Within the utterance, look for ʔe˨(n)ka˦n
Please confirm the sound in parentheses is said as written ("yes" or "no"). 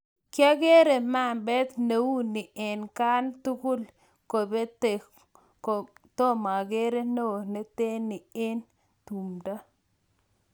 yes